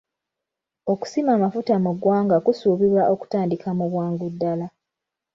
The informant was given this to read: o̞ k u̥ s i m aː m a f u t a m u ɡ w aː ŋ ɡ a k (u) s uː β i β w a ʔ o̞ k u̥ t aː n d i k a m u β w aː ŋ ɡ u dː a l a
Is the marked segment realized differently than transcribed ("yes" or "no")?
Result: no